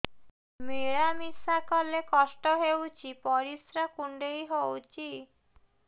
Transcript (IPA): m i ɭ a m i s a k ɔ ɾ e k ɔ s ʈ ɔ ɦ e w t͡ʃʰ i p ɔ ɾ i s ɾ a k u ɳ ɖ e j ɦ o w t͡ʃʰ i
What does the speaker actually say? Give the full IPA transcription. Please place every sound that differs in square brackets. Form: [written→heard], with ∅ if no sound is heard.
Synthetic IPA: m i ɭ a m i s a k ɔ [ɾ→l] e k ɔ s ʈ ɔ ɦ e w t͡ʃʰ i p ɔ ɾ i s ɾ a k u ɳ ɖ e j ɦ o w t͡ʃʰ i